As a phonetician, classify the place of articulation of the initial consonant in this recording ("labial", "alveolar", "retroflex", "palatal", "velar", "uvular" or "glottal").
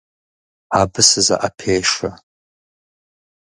labial